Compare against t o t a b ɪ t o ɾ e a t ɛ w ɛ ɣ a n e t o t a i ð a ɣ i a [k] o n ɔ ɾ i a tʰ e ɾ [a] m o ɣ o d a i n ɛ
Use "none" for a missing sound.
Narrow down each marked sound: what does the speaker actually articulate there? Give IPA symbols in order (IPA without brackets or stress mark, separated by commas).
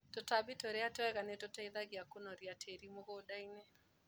k, i